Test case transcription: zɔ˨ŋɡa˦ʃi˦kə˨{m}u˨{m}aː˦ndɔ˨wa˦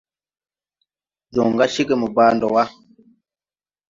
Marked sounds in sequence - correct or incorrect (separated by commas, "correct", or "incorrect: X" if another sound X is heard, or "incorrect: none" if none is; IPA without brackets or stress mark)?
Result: correct, incorrect: b